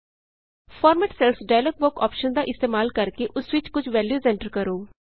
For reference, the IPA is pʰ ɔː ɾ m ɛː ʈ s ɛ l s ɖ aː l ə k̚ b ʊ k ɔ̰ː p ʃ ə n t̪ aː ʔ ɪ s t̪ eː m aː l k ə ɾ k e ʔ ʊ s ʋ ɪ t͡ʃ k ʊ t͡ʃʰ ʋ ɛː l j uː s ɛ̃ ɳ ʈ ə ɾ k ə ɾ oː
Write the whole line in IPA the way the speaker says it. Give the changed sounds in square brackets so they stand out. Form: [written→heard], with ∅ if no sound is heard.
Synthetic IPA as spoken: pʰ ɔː ɾ m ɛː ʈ s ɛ l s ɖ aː l ə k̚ b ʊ k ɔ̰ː p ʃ ə n [t̪→d̪] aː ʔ ɪ s t̪ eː m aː l k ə ɾ k e ʔ ʊ s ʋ ɪ t͡ʃ k ʊ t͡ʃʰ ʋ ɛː l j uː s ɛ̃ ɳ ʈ ə ɾ k ə ɾ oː